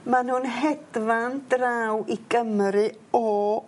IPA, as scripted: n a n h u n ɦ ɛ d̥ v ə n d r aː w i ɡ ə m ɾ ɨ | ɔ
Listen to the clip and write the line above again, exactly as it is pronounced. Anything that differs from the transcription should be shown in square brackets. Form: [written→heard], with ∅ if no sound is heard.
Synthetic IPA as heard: [n→m] a n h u n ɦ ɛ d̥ v [ə→a] n d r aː w i ɡ ə m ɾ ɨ | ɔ